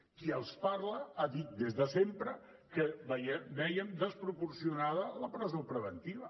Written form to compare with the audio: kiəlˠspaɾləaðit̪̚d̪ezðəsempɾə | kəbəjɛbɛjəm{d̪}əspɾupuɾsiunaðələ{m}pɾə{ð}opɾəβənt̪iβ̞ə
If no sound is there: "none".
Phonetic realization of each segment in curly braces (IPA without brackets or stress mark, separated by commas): d̪, none, z